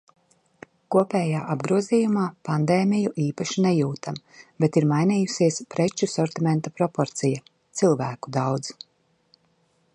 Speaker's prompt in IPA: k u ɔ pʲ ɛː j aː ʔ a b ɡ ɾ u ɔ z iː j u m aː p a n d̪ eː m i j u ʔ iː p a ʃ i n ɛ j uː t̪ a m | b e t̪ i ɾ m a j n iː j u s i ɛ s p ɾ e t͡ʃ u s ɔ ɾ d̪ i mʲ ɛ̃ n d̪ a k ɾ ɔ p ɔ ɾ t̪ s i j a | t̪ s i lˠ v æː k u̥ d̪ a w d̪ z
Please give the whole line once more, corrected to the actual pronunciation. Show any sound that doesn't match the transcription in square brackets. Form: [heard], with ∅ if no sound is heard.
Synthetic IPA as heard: k u ɔ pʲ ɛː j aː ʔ a b ɡ ɾ u ɔ z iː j u m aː p a n d̪ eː m i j u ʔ iː p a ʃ i n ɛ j uː t̪ a m | b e t̪ i ɾ m a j n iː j u s i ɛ s p ɾ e t͡ʃ u s ɔ ɾ [t̪] i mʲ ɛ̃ n [t̪] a [p] ɾ ɔ p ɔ ɾ t̪ s i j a | t̪ s i lˠ v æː k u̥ d̪ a w d̪ z